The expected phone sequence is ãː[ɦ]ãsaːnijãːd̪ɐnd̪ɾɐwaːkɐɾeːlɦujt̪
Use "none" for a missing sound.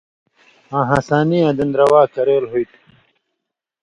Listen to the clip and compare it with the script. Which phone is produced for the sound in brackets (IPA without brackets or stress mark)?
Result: ɦ